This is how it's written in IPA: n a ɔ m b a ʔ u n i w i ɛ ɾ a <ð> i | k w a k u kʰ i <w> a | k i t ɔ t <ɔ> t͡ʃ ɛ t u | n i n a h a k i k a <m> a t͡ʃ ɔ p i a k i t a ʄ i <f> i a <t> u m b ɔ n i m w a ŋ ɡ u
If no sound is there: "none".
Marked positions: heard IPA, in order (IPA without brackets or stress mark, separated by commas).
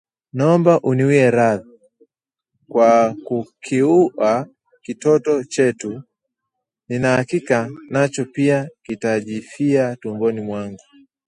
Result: ð, u, ɔ, n, f, t